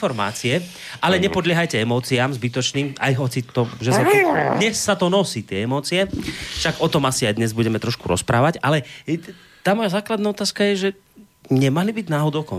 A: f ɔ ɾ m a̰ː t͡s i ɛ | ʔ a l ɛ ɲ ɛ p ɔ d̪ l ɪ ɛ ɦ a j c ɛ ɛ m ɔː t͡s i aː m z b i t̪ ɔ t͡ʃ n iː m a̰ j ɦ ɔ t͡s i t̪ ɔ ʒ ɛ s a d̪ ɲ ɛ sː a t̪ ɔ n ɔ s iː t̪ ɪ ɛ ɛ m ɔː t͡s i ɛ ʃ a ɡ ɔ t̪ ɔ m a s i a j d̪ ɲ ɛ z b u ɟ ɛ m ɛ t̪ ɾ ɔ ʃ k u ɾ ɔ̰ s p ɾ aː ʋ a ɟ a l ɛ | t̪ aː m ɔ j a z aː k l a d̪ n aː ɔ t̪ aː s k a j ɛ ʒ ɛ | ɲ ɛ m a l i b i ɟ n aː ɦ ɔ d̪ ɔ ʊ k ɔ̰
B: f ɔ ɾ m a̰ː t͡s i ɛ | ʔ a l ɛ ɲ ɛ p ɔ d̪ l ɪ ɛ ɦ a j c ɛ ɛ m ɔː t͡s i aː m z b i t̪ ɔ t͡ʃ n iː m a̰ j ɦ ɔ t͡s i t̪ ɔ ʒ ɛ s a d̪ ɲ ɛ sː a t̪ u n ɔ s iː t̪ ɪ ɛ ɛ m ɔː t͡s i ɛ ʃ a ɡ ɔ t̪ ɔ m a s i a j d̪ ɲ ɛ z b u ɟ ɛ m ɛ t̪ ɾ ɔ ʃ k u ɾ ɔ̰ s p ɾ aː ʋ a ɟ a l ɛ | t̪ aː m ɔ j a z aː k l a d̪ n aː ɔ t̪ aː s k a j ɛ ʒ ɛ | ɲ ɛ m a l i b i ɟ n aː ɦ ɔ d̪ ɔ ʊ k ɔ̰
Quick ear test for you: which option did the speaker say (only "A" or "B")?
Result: A